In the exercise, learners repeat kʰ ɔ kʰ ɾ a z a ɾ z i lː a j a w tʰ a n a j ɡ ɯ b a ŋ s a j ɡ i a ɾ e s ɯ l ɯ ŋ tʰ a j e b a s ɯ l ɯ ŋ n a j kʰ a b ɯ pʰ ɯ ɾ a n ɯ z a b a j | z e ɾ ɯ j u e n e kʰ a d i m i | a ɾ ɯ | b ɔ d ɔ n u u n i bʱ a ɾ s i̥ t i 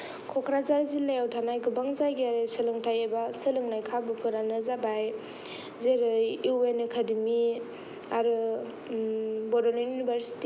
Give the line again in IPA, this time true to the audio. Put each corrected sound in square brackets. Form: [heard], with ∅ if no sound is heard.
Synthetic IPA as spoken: kʰ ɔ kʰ ɾ a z a ɾ z i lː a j a w tʰ a n a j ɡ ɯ b a ŋ [z] a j ɡ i a ɾ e s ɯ l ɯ ŋ tʰ a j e b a s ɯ l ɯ ŋ n a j kʰ a b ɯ pʰ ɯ ɾ a n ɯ z a b a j | z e ɾ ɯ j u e n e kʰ a d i m i | a ɾ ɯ | b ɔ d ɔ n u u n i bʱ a ɾ s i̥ t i

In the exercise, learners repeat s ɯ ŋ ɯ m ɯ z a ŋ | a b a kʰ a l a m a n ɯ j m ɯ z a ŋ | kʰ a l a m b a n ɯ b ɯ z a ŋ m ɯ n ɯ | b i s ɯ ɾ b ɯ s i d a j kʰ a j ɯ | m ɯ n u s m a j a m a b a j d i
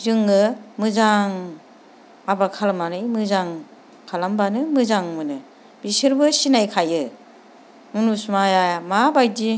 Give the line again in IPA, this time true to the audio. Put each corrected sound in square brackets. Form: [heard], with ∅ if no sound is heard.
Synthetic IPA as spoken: [z] ɯ ŋ ɯ m ɯ z a ŋ | a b a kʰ a l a m a n ɯ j m ɯ z a ŋ | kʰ a l a m b a n ɯ [m] ɯ z a ŋ m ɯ n ɯ | b i s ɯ ɾ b ɯ s i [n] a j kʰ a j ɯ | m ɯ n u s m a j a m a b a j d i

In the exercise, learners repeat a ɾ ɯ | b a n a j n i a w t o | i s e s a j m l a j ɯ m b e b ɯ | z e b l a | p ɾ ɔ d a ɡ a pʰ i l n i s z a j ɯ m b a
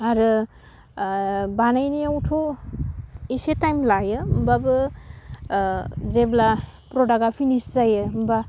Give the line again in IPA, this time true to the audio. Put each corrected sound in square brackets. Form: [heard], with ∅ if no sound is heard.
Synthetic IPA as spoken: a ɾ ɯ | b a n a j n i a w [tʰ] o | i s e [t] a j m l a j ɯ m b [a] b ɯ | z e b l a | p ɾ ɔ d a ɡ a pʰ i [∅] n i s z a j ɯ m b a

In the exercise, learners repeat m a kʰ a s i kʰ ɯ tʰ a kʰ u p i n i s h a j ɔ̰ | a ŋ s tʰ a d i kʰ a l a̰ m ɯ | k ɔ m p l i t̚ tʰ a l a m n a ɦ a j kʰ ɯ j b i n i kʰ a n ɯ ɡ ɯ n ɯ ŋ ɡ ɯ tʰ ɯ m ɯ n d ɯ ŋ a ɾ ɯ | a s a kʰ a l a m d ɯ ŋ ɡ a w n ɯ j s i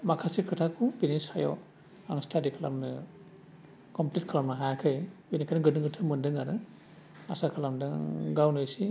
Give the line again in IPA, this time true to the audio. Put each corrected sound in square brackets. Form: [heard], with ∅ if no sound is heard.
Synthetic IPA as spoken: m a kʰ a s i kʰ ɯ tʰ a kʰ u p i n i s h a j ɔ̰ | a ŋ s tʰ a d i kʰ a l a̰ m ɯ | k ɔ m p l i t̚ [kʰ] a l a m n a ɦ a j kʰ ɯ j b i n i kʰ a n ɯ ɡ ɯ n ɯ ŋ ɡ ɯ tʰ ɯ m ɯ n d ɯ ŋ a ɾ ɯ | a s a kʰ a l a m d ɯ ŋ ɡ a w n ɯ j s i

